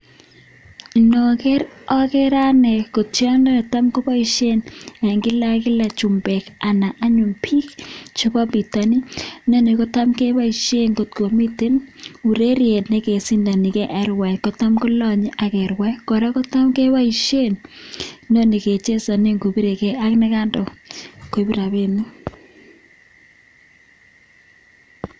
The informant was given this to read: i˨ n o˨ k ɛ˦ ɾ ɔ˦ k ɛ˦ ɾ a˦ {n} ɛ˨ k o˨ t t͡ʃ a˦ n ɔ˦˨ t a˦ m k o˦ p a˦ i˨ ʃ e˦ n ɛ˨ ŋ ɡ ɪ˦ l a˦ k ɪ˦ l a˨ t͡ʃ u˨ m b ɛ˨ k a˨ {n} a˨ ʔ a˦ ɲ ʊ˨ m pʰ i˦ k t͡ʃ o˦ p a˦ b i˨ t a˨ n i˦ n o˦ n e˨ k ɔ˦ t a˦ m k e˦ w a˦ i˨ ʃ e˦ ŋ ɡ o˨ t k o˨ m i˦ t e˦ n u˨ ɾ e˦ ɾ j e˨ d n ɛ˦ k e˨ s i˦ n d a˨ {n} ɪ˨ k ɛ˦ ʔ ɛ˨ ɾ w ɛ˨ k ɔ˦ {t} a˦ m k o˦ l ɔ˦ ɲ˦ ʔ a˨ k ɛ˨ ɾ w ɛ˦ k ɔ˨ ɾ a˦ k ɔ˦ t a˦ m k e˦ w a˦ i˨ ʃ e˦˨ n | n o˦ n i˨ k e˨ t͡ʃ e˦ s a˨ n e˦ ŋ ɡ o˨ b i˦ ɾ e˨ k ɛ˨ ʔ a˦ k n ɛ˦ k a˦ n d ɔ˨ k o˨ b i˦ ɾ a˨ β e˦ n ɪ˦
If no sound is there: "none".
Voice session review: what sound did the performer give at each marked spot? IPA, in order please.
n, n, n, t

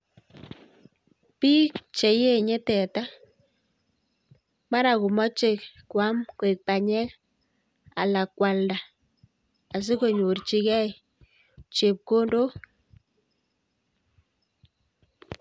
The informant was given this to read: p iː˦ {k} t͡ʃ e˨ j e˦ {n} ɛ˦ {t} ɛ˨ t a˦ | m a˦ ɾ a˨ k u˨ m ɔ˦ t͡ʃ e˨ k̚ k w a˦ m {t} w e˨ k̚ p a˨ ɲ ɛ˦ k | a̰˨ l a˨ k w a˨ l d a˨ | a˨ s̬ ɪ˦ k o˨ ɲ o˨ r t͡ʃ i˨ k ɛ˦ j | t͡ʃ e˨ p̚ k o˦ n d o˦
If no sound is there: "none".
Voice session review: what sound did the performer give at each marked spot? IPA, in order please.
k, ɲ, t, k

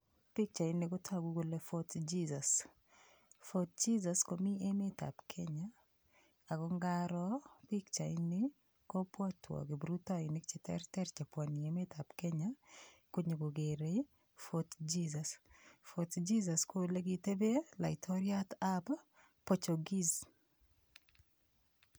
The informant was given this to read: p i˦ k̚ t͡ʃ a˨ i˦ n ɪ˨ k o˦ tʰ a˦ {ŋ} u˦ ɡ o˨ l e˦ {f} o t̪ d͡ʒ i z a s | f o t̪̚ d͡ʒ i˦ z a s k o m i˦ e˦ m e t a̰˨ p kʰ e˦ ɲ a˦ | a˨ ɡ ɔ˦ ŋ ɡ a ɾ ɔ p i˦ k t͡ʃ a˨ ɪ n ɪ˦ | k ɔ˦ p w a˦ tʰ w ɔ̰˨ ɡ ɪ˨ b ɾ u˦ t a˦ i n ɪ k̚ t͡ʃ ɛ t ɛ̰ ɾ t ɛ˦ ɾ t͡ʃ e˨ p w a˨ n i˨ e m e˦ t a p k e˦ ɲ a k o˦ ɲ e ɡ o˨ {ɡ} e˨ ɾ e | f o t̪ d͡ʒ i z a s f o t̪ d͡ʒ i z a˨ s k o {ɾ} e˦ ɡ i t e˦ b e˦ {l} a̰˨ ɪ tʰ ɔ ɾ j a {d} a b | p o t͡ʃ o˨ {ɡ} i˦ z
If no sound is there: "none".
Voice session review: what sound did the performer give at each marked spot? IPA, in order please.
ɡ, f, ɡ, l, l, t, ɡ

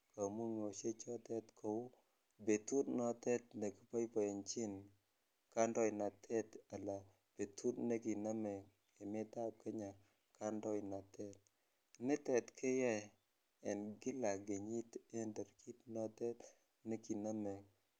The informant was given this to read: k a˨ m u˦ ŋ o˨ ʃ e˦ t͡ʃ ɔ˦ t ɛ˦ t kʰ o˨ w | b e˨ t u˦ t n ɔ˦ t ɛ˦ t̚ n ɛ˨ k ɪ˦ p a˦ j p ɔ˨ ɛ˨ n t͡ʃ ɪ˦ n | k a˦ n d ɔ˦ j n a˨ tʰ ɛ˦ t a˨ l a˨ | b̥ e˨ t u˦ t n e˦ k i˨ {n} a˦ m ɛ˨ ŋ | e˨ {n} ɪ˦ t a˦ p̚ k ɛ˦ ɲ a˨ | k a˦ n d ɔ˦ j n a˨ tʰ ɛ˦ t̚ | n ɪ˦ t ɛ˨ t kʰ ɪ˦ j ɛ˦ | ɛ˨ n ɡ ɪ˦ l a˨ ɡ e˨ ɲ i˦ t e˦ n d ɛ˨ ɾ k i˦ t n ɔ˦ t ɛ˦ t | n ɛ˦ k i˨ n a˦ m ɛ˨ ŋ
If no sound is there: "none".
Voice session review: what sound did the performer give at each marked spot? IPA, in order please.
n, m

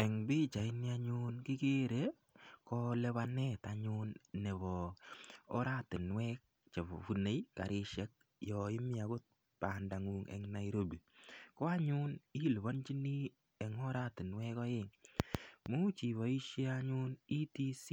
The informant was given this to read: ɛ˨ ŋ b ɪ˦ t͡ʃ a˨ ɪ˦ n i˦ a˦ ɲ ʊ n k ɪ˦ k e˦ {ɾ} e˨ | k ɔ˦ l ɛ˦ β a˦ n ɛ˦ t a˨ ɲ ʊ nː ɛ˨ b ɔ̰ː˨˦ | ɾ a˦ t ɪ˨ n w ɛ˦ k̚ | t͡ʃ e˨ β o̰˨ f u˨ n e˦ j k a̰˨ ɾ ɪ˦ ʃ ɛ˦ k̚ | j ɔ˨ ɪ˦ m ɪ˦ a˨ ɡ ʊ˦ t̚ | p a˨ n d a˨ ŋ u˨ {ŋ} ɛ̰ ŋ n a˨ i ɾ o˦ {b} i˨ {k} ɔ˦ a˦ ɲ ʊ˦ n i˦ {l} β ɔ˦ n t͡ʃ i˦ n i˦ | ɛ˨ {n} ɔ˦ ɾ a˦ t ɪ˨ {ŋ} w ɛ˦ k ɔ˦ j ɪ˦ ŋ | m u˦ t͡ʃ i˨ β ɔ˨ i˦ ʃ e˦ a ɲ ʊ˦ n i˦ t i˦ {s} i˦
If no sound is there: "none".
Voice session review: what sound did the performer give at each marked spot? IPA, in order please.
ɾ, ŋ, b, k, l, ŋ, n, s

